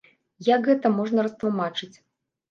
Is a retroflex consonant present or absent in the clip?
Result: present